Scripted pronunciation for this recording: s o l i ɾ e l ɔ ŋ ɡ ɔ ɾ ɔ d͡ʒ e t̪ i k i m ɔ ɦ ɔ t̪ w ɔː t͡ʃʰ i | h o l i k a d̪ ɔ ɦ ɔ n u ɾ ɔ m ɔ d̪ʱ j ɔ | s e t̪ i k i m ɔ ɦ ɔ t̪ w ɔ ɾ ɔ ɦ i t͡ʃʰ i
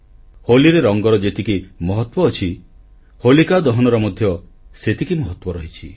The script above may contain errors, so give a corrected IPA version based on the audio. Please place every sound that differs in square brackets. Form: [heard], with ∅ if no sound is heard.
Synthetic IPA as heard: [h] o l i ɾ e [ɾ] ɔ ŋ ɡ ɔ ɾ ɔ d͡ʒ e t̪ i k i m ɔ ɦ ɔ t̪ w ɔː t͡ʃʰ i | h o l i k a d̪ ɔ ɦ ɔ n [ɔ] ɾ ɔ m ɔ d̪ʱ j ɔ | s e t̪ i k i m ɔ ɦ ɔ t̪ w ɔ ɾ ɔ ɦ i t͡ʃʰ i

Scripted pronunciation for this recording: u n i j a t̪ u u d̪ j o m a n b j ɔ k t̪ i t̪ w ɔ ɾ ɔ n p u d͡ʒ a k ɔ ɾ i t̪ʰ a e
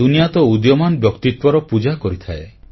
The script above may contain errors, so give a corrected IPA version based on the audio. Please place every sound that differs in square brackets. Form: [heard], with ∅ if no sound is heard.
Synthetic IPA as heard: u n i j a t̪ [ɔ] u d̪ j [ɔ] m a n b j ɔ k t̪ i t̪ w ɔ ɾ ɔ [∅] p u d͡ʒ a k ɔ ɾ i t̪ʰ a e

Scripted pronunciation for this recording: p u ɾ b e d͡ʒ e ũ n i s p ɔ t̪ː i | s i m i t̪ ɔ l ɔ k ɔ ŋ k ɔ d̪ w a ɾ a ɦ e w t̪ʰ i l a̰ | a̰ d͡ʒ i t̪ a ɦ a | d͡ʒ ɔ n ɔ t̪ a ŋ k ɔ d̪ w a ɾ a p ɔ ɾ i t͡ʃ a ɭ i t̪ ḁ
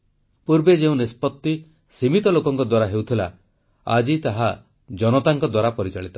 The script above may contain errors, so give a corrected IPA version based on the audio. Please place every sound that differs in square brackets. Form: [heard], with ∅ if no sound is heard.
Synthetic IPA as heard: p u ɾ b e d͡ʒ e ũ n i s p ɔ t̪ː i | s i m i t̪ ɔ l [o] k ɔ ŋ k ɔ d̪ w a ɾ a ɦ e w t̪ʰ i l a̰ | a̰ d͡ʒ i t̪ a ɦ a | d͡ʒ ɔ n ɔ t̪ a ŋ k ɔ d̪ w a ɾ a p ɔ ɾ i t͡ʃ a ɭ i t̪ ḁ

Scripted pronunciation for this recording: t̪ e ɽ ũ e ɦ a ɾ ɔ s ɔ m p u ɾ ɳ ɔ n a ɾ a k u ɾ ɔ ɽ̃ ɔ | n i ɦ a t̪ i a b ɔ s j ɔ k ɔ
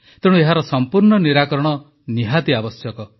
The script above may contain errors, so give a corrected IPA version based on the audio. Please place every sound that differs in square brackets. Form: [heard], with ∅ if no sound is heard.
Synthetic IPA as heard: t̪ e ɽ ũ e ɦ a ɾ ɔ s ɔ m p u ɾ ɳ ɔ n [i] ɾ a k [ɔ] ɾ ɔ ɽ̃ ɔ | n i ɦ a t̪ i a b ɔ s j ɔ k ɔ

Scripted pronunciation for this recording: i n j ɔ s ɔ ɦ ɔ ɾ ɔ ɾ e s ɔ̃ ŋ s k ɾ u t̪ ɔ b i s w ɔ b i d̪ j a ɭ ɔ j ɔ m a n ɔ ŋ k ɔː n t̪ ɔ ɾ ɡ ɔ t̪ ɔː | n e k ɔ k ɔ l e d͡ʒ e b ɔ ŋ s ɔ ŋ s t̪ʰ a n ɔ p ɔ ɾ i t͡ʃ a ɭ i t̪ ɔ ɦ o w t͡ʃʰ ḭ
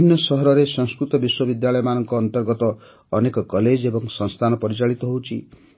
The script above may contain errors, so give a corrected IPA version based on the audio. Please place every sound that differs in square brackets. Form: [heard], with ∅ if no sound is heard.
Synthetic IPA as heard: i n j ɔ s ɔ ɦ ɔ ɾ ɔ ɾ e s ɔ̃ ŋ s k ɾ u t̪ ɔ b i s w ɔ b i d̪ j a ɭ ɔ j ɔ m a n ɔ ŋ k ɔː n t̪ ɔ ɾ ɡ ɔ t̪ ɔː | n e k ɔ k ɔ l e d͡ʒ e b ɔ ŋ s ɔ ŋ s t̪ʰ a n ɔ p ɔ ɾ i t͡ʃ a ɭ i t̪ ɔ ɦ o w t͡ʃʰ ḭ

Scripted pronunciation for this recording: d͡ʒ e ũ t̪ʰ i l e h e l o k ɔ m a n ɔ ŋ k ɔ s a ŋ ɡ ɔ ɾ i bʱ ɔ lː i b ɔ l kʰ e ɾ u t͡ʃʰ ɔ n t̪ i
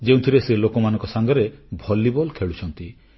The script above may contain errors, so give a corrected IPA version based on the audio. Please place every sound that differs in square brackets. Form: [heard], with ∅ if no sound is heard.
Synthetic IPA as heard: d͡ʒ e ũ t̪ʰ i [ɾ] e [s] e l o k ɔ m a n ɔ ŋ k ɔ s a ŋ ɡ ɔ ɾ [e] bʱ ɔ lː i b ɔ l kʰ e [ɭ] u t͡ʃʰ ɔ n t̪ i

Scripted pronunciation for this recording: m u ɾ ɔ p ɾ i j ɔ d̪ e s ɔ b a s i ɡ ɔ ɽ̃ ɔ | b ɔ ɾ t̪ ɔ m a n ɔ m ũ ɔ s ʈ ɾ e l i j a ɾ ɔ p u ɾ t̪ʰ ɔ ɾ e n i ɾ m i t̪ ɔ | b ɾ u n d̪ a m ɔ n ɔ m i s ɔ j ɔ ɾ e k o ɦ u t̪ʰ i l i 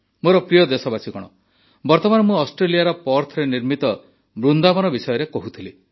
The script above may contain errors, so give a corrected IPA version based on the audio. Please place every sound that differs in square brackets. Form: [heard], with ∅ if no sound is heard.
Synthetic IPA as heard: m [o] ɾ ɔ p ɾ i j ɔ d̪ e s ɔ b a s i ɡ ɔ ɽ̃ ɔ | b ɔ ɾ t̪ ɔ m a n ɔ m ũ ɔ s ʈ ɾ e l i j a ɾ ɔ p [ɔ] ɾ t̪ʰ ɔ ɾ e n i ɾ m i t̪ ɔ | b ɾ u n d̪ a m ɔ n ɔ [b] i s ɔ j ɔ ɾ e k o ɦ u t̪ʰ i l i

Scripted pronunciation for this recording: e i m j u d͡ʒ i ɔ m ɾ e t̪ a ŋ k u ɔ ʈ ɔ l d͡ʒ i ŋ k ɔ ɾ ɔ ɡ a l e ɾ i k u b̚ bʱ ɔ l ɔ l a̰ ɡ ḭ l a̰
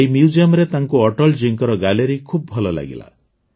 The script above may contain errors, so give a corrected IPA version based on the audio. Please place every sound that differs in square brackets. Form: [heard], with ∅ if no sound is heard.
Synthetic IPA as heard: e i m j u d͡ʒ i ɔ m ɾ e t̪ a ŋ k u ɔ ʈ ɔ l d͡ʒ i ŋ k ɔ ɾ ɔ ɡ a l e ɾ i [kʰ] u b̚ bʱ ɔ l ɔ l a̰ ɡ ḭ l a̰

